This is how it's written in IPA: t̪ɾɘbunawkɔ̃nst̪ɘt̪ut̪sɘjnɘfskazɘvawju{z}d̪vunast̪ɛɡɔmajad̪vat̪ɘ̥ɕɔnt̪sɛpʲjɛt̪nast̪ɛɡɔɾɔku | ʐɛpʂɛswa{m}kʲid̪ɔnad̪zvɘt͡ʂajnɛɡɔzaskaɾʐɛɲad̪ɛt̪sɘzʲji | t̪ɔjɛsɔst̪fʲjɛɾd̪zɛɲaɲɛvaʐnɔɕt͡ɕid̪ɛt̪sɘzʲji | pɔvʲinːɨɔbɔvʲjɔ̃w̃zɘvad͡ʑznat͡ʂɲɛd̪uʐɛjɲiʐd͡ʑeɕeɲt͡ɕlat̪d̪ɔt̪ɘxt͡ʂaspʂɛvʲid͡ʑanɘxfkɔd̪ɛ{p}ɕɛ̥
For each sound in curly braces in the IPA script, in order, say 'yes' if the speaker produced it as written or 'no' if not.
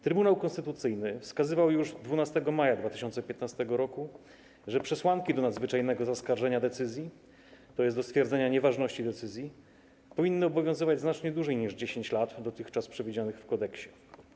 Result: no, no, no

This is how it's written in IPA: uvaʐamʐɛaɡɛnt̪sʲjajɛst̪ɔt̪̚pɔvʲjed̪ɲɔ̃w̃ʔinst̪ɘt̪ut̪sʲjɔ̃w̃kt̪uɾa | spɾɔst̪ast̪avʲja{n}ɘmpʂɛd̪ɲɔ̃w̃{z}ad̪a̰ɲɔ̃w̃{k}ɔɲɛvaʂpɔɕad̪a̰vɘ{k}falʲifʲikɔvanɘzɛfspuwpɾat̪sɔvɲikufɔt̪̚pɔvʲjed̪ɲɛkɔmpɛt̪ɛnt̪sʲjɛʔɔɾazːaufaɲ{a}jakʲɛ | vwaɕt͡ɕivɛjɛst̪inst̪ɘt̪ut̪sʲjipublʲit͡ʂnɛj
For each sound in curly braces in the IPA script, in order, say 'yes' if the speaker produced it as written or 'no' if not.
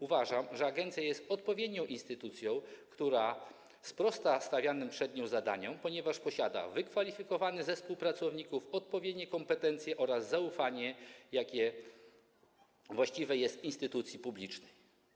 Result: yes, yes, no, yes, no

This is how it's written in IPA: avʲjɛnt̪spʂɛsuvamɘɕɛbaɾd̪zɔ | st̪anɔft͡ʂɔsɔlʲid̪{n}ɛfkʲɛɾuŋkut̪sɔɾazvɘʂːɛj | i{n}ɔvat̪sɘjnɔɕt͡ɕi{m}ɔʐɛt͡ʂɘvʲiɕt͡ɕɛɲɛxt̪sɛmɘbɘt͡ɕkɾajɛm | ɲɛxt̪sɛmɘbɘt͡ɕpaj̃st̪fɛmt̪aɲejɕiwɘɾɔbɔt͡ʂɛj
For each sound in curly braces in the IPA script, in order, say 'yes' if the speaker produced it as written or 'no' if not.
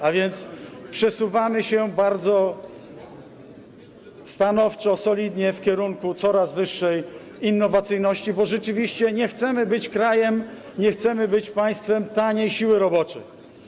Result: no, no, no

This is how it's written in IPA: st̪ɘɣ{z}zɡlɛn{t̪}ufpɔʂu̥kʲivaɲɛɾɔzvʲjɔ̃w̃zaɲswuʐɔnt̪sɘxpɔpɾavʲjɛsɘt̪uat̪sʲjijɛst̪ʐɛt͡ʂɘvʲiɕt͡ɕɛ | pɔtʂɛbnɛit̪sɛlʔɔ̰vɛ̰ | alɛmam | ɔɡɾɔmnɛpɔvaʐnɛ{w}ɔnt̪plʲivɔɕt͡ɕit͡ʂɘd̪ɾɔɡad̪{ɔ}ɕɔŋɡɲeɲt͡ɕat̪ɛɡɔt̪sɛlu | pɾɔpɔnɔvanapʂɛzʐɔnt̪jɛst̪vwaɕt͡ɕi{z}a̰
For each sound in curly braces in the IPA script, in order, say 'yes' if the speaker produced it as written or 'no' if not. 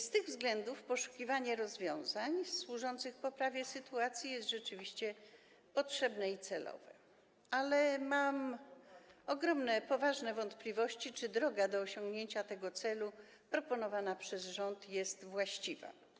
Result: no, no, no, no, no

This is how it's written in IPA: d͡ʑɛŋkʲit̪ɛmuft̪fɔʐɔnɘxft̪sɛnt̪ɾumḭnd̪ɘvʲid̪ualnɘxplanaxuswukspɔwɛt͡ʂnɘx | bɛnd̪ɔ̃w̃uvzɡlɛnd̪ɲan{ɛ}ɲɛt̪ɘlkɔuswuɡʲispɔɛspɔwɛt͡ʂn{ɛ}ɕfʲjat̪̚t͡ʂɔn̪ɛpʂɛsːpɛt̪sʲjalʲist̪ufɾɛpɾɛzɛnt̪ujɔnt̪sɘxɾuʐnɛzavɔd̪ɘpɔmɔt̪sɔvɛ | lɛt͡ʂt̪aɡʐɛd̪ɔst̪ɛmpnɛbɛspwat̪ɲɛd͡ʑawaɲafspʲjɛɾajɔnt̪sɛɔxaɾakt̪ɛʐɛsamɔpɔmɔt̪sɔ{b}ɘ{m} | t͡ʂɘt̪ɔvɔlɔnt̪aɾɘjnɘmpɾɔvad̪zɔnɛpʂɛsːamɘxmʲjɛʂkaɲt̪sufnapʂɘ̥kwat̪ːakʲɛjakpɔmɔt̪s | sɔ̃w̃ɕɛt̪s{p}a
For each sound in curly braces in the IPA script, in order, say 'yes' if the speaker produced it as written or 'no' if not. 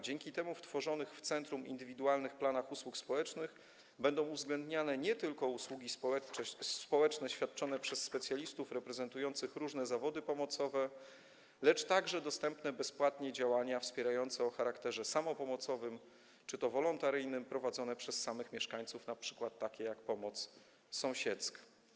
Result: yes, yes, no, yes, no

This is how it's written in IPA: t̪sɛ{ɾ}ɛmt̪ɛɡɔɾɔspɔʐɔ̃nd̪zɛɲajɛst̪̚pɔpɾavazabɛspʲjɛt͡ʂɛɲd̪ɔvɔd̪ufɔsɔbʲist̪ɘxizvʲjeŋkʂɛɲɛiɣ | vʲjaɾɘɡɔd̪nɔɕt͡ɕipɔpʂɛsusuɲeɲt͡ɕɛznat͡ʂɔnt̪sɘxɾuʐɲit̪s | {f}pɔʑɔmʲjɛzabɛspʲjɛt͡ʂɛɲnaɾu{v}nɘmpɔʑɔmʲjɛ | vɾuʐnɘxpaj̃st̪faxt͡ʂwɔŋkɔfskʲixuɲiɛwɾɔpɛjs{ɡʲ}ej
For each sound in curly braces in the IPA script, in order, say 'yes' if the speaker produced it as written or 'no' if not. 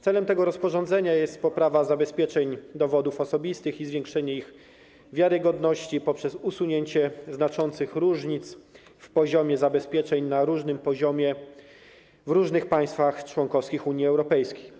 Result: no, yes, no, no

